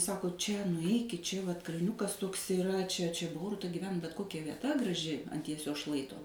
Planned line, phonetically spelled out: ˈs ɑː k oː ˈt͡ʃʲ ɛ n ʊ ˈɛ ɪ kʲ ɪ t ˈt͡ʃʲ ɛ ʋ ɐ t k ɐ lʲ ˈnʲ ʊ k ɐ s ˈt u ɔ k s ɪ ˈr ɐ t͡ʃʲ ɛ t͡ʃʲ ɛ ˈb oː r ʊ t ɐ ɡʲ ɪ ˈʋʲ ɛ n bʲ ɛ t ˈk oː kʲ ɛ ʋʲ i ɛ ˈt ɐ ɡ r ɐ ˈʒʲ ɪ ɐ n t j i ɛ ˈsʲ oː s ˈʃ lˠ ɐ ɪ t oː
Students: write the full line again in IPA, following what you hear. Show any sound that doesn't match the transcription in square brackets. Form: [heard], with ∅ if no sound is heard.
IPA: ˈs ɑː k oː ˈt͡ʃʲ ɛ n ʊ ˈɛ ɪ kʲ ɪ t ˈt͡ʃʲ ɛ ʋ ɐ t k ɐ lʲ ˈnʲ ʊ k ɐ s ˈt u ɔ k s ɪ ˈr ɐ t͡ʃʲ ɛ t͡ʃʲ ɛ ˈb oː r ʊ t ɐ ɡʲ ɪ ˈʋʲ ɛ n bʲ ɛ t ˈk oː kʲ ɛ ʋʲ i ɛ ˈt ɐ ɡ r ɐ ˈʒʲ ɪ ɐ n t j i ɛ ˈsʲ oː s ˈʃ lˠ ɐ ɪ t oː